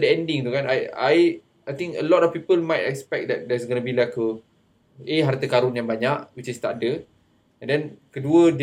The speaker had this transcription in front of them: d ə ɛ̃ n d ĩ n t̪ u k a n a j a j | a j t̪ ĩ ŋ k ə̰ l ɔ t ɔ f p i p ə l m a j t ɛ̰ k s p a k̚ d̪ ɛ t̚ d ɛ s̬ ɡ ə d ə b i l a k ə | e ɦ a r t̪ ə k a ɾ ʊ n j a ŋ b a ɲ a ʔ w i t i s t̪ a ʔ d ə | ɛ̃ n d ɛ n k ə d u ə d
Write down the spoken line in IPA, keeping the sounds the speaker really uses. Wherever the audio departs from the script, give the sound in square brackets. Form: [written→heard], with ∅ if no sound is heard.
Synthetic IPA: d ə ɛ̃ n d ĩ [n→ŋ] t̪ u k a n a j a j | a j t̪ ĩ ŋ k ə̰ l ɔ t ɔ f p i p ə l m a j t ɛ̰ k s p [a→ɛ] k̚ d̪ ɛ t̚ d ɛ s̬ ɡ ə [d→n] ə b i l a k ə | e ɦ a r t̪ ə k a ɾ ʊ n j a ŋ b a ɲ a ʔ w i [t→t͡ʃ] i s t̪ a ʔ d ə | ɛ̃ n d ɛ n k ə d u ə d